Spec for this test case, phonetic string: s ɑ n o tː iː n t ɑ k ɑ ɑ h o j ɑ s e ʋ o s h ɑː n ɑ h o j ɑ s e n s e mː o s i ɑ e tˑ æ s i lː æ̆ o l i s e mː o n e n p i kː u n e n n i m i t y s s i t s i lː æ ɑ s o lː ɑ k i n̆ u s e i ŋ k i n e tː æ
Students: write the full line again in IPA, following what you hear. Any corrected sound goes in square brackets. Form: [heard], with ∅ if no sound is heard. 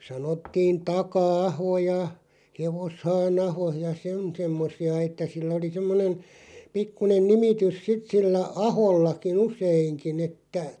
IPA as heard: s ɑ n o tː iː n t ɑ k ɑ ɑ h o j ɑ [h] e ʋ o s h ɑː n ɑ h o j ɑ s e n s e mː o s i ɑ e tˑ æ s i lː æ̆ o l i s e mː o n e n p i kː u n e n n i m i t y s s i t s i lː æ ɑ [h] o lː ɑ k i n̆ u s e i ŋ k i n e tː æ